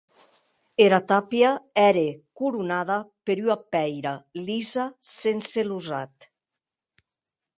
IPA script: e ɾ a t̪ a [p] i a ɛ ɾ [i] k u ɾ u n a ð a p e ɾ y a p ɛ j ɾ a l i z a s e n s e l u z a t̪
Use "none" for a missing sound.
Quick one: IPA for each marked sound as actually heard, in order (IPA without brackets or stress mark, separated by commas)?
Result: p, e